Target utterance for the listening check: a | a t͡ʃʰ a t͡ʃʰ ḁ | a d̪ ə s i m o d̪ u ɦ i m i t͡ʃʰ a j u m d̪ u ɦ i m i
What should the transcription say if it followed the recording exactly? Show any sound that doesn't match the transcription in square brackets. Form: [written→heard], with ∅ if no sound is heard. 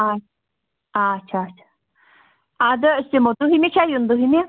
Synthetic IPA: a | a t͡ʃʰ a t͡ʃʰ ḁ | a d̪ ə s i m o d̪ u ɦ i m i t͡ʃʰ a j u [m→n] d̪ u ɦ i m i